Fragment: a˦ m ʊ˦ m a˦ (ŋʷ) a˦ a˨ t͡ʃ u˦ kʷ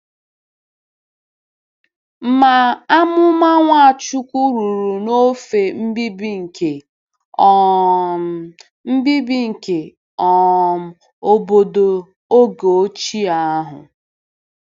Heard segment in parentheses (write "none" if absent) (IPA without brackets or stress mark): ŋʷ